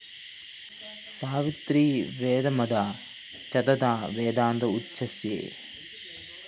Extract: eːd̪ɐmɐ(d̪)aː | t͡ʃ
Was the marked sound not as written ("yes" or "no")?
no